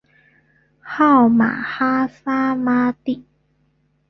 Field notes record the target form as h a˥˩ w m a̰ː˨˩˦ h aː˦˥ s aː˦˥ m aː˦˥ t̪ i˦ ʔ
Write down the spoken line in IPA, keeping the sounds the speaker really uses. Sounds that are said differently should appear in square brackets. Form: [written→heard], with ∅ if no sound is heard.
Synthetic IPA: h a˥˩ w m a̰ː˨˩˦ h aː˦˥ s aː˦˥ m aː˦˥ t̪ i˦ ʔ